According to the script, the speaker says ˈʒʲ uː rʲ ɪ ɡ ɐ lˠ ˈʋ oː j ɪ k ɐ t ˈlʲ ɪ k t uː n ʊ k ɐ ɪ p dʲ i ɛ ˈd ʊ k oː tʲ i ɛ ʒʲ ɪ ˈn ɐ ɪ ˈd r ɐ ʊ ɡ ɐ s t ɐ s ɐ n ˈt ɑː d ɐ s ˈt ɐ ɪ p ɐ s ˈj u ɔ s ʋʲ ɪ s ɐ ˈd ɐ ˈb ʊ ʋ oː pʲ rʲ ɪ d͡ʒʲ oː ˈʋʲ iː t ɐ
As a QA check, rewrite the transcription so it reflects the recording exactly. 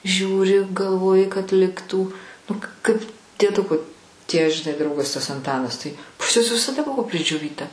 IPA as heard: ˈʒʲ uː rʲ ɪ ɡ ɐ lˠ ˈʋ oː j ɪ k ɐ t ˈlʲ ɪ k t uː n ʊ k ɐ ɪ p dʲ i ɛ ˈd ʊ k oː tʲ i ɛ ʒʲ ɪ ˈn ɐ ɪ ˈd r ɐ ʊ ɡ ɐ s t ɐ s ɐ n ˈt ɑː n ɐ s ˈt ɐ ɪ p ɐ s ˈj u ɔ s ʋʲ ɪ s ɐ ˈd ɐ ˈb ʊ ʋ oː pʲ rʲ ɪ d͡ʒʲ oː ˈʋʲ iː t ɐ